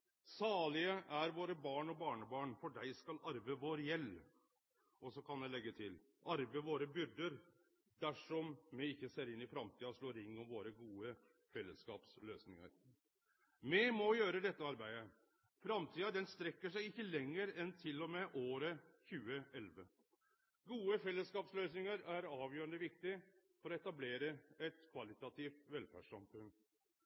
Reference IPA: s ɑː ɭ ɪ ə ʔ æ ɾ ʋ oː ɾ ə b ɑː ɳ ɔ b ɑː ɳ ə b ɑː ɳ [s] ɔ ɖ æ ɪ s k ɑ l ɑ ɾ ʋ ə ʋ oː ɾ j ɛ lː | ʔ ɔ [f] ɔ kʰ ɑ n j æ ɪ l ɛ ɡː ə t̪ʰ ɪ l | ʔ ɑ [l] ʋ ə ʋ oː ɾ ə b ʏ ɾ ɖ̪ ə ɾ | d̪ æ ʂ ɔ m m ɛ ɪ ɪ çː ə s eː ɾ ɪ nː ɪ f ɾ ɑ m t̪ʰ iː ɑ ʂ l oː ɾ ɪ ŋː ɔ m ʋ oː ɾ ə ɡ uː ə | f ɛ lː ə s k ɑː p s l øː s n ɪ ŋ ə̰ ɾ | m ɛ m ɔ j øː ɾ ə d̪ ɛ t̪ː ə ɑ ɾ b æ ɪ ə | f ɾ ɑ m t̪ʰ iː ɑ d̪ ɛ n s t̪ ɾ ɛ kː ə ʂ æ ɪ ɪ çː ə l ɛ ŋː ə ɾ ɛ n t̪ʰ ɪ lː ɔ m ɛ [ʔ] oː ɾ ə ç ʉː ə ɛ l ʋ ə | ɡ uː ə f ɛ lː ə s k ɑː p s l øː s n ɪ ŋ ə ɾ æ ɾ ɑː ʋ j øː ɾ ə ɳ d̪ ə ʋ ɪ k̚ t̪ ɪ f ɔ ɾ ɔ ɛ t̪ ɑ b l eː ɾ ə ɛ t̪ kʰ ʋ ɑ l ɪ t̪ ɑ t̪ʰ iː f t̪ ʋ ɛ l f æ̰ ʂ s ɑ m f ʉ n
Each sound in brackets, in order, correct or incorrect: incorrect: f, incorrect: s, incorrect: ɾ, correct

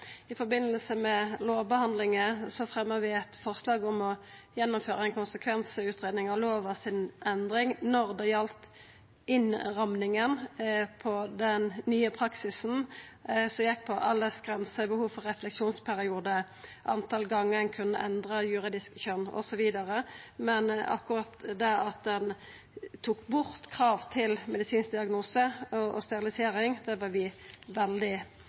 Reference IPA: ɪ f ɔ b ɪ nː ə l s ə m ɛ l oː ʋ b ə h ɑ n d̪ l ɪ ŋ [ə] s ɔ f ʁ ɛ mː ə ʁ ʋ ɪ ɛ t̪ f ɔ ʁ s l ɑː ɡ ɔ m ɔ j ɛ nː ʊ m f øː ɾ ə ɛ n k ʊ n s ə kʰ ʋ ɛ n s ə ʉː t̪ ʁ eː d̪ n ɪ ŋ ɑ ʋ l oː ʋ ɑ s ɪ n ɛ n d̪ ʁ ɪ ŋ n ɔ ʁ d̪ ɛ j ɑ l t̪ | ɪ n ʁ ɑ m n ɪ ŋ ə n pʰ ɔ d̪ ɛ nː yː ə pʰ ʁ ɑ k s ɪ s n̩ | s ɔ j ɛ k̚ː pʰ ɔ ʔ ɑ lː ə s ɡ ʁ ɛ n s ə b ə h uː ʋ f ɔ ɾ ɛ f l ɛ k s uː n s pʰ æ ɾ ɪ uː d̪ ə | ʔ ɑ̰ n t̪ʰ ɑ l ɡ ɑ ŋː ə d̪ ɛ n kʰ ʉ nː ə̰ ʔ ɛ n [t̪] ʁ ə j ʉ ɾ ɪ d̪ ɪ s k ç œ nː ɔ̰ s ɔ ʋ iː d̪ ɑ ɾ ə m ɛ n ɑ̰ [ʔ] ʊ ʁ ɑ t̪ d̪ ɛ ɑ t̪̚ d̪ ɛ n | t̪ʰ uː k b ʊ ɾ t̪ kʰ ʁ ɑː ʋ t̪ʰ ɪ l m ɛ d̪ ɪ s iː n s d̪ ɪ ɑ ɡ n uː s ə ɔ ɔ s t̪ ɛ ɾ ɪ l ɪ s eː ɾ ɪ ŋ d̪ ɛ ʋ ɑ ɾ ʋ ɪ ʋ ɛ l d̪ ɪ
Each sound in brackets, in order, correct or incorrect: correct, incorrect: d̪, incorrect: k

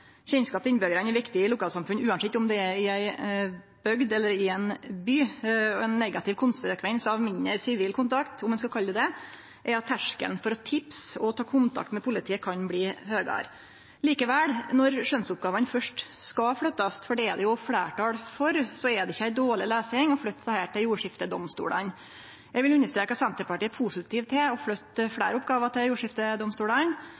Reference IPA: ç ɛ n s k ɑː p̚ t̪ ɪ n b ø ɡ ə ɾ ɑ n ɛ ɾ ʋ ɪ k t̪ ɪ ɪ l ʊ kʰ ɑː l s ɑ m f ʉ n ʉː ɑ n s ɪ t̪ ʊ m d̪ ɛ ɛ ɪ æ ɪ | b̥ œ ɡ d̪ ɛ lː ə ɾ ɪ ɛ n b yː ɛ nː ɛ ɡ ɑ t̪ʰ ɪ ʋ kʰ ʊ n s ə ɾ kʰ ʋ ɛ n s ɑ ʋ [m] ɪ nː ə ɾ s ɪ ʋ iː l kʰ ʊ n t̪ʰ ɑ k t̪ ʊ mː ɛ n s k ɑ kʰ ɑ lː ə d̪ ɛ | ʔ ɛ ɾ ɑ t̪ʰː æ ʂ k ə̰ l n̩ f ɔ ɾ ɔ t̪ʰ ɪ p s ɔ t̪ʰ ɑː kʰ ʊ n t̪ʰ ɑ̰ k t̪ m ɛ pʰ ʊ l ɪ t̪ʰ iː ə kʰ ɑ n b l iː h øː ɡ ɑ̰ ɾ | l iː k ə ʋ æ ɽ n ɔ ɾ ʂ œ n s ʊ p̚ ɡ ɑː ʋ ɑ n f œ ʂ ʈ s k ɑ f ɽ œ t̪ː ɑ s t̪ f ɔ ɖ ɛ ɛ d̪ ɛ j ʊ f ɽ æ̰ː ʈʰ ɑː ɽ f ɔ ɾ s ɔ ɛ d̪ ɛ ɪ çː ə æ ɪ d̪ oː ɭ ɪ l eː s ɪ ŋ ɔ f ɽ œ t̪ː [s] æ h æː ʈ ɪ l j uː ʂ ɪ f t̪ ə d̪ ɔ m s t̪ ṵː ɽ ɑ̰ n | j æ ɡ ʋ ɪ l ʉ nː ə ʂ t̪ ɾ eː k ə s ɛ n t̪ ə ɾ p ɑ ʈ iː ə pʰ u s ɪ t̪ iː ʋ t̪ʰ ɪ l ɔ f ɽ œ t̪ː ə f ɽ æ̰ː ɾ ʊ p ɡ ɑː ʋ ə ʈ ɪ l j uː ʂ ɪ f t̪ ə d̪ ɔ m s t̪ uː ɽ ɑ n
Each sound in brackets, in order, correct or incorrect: correct, correct

